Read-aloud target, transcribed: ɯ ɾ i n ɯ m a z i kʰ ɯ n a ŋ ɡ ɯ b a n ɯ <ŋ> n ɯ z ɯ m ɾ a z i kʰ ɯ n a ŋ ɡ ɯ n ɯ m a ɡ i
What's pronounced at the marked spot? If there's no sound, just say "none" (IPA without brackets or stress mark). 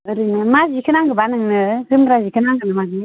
ŋ